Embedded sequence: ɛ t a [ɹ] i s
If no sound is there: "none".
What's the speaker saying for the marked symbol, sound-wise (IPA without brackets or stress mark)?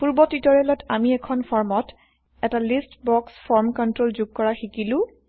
l